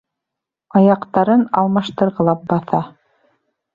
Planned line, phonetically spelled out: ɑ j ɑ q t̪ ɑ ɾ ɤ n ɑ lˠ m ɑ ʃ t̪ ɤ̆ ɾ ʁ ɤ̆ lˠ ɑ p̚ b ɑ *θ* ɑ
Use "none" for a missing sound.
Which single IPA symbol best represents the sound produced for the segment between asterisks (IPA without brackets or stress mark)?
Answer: θ